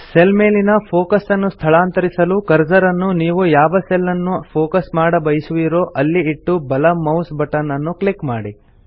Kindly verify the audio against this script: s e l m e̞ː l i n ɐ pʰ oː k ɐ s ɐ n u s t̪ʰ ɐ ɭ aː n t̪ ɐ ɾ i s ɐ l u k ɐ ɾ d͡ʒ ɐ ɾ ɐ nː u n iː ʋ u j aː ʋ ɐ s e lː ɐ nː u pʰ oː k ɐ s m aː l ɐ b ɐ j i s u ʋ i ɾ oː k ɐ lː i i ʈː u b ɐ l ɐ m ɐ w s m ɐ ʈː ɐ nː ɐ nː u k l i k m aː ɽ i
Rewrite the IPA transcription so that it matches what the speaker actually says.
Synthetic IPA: s e l m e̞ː l i n ɐ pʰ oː k ɐ s ɐ nː u s t̪ʰ ɐ ɭ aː n t̪ ɐ ɾ i s ɐ l u k ɐ ɾ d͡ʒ ɐ ɾ ɐ nː u n iː ʋ u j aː ʋ ɐ s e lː ɐ nː u pʰ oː k ɐ s m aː ɽ ɐ b ɐ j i s u ʋ i ɾ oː ʔ ɐ lː i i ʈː u b ɐ l ɐ m ɐ w s b ɐ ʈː ɐ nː ɐ nː u k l i k m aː ɽ i